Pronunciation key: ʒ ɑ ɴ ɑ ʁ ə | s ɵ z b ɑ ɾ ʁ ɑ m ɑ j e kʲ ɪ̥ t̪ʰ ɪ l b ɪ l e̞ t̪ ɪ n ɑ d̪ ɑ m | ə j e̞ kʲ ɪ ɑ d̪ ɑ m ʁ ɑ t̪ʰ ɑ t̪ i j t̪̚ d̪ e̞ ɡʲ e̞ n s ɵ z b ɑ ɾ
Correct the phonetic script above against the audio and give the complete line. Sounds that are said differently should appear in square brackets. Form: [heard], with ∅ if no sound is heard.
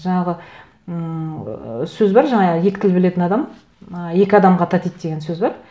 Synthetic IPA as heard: ʒ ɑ ɴ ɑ ʁ ə | s ɵ z b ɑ ɾ [ʒ] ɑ [ɴ] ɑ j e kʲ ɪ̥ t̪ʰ ɪ l b ɪ l e̞ t̪ ɪ n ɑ d̪ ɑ m | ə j e̞ kʲ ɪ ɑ d̪ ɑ m ʁ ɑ t̪ʰ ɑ t̪ i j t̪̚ d̪ e̞ ɡʲ e̞ n s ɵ z b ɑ ɾ